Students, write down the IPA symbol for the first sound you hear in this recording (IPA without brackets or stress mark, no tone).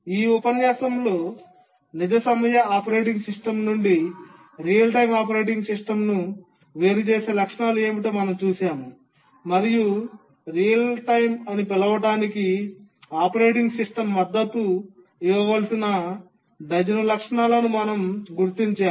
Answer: iː